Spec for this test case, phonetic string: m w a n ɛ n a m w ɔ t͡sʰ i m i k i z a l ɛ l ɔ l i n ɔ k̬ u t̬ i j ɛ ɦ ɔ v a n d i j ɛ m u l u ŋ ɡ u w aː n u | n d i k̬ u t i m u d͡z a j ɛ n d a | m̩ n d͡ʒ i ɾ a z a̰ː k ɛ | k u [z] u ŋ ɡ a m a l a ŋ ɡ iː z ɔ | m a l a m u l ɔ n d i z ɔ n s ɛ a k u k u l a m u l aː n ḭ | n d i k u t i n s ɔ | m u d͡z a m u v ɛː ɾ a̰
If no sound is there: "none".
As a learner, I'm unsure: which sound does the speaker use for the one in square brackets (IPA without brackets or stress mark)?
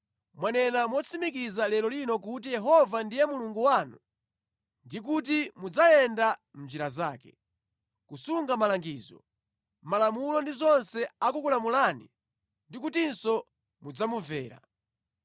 s